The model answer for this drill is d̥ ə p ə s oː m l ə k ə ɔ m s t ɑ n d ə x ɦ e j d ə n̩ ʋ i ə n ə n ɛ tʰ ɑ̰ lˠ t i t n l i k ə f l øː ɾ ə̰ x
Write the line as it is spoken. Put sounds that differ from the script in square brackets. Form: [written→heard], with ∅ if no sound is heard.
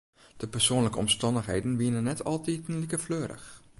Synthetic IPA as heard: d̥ ə p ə s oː [m→n] l ə k ə ɔ m s t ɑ n d ə x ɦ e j d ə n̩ ʋ i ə n ə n ɛ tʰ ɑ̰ lˠ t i t n l i k ə f l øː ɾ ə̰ x